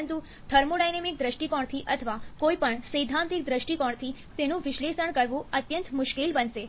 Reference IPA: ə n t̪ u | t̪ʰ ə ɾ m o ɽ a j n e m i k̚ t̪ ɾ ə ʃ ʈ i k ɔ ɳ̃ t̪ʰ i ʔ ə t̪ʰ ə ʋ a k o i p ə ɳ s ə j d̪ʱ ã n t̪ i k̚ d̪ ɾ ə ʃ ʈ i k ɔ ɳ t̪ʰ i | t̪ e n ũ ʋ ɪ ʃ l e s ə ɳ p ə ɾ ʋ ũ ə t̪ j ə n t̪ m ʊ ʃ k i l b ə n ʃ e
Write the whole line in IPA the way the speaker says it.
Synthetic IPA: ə n t̪ u | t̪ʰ ə ɾ m o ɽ a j n e m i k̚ d̪ ɾ ə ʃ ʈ i k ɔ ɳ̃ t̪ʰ i ʔ ə t̪ʰ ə ʋ a k o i p ə ɳ s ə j d̪ʱ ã n t̪ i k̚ d̪ ɾ ə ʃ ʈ i k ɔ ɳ t̪ʰ i | t̪ e n ũ ʋ ɪ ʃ l e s ə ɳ k ə ɾ ʋ ũ ə t̪ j ə n t̪ m ʊ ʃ k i l b ə n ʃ e